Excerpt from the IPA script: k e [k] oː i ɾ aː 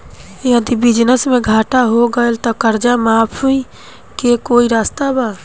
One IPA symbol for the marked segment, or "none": k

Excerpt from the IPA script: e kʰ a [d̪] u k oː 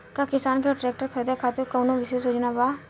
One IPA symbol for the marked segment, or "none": t̪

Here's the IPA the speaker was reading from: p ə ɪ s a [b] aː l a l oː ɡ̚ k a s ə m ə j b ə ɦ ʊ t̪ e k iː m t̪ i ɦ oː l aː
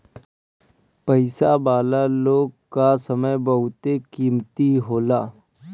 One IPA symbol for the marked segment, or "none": b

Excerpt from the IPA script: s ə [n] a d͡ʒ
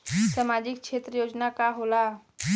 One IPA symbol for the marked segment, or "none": m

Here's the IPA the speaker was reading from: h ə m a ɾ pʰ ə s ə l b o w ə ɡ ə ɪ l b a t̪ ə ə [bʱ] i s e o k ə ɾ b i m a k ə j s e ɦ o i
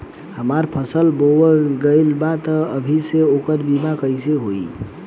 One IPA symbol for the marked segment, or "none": bʱ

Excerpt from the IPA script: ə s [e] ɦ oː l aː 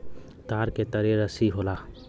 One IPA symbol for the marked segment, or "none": i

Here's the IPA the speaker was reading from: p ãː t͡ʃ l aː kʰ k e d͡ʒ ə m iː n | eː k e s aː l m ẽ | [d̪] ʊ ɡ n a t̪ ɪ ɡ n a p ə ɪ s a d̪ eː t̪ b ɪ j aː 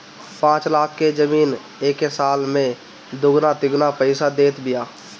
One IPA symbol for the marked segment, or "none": d̪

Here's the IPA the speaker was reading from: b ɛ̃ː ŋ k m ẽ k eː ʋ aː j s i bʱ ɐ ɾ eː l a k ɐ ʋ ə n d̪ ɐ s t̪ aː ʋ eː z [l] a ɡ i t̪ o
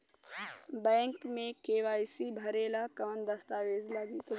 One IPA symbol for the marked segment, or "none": l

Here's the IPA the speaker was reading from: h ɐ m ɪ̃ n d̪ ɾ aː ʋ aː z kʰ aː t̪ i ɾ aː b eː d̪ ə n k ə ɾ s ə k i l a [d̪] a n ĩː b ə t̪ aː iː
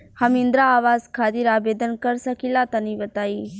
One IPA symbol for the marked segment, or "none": t̪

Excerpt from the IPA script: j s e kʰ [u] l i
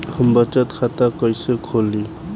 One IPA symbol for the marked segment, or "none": o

